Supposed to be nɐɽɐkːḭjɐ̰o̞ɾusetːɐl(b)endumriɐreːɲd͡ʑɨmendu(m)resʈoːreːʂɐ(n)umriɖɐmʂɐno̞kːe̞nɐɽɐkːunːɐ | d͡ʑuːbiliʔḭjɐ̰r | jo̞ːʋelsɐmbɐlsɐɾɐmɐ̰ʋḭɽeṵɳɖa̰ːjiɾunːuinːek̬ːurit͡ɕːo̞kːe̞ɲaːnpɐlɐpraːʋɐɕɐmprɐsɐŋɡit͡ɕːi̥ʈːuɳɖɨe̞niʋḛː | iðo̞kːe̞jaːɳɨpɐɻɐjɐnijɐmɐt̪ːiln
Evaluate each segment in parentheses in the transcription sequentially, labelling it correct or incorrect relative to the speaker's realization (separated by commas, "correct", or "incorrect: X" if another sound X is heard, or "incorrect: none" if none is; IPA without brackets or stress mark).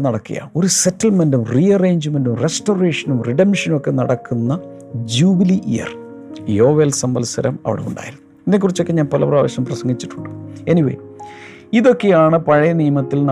incorrect: m, correct, correct